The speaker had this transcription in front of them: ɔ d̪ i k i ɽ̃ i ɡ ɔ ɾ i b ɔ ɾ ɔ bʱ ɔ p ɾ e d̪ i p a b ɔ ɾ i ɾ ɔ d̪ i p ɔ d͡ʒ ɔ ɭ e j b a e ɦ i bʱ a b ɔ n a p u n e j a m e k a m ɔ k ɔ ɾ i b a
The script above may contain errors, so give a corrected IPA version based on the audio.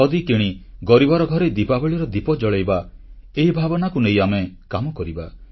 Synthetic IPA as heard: ɔ d̪ i k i ɽ̃ i ɡ ɔ ɾ i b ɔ ɾ ɔ ɡʱ ɔ ɾ e d̪ i p a b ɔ ɭ i ɾ ɔ d̪ i p ɔ d͡ʒ ɔ ɭ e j b a e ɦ i bʱ a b ɔ n a k u n e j a m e k a m ɔ k ɔ ɾ i b a